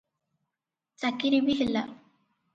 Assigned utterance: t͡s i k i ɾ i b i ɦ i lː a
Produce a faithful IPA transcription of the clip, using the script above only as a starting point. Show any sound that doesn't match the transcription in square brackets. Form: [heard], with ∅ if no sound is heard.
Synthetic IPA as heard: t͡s [a] k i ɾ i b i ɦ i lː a